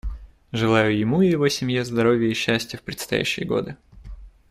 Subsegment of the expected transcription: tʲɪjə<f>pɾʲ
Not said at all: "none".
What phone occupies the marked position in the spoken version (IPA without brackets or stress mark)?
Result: f